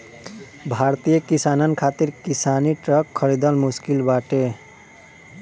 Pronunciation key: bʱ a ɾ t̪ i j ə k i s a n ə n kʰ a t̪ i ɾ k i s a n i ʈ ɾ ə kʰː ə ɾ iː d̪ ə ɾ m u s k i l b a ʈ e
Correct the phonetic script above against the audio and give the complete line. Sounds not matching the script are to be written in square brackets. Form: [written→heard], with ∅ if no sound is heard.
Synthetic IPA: bʱ a ɾ t̪ i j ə k i s a n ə n kʰ a t̪ i ɾ k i s a n i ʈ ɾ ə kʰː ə ɾ [iː→i] d̪ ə [ɾ→l] m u s k i l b a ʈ e